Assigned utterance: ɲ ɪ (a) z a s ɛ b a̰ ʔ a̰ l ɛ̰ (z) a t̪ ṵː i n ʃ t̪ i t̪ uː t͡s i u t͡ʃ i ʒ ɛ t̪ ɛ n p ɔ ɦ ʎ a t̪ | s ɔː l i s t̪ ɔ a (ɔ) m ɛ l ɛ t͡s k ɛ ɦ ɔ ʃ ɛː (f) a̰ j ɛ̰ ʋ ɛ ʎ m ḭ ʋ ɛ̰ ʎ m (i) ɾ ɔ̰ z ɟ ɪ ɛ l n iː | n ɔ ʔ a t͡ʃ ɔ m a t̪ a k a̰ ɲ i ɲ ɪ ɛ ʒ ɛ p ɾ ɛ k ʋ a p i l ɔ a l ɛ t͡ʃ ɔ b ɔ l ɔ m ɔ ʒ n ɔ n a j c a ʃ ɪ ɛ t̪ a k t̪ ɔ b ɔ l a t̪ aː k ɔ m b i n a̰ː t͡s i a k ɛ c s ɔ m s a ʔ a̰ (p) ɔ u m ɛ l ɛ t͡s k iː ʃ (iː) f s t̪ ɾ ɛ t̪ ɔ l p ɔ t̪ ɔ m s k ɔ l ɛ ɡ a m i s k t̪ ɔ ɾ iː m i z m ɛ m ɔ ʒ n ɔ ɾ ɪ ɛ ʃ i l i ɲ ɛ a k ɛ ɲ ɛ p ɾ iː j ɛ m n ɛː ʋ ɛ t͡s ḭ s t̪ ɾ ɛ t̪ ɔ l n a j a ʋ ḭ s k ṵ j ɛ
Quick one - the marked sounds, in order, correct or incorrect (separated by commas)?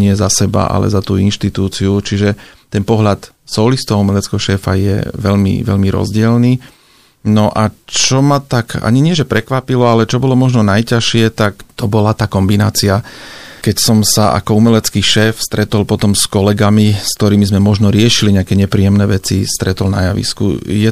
incorrect, correct, incorrect, correct, correct, incorrect, incorrect